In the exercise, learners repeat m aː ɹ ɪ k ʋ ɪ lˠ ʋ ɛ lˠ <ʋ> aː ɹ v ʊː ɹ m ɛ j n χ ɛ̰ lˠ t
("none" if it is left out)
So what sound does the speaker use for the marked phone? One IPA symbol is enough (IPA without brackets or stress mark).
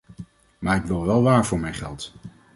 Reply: ʋ